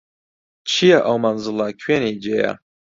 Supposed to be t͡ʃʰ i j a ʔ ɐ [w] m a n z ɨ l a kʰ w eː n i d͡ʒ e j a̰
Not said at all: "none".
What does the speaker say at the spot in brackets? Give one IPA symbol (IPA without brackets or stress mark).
w